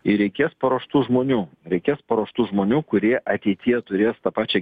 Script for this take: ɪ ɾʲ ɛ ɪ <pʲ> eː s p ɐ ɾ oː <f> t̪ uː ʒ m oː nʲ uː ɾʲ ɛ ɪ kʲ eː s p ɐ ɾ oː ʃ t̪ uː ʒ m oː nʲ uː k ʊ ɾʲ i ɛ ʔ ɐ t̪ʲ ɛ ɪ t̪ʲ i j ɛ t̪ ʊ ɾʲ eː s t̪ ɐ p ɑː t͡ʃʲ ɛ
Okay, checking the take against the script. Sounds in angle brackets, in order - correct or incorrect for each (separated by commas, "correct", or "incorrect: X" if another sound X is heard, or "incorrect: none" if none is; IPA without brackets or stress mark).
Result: incorrect: kʲ, incorrect: ʃ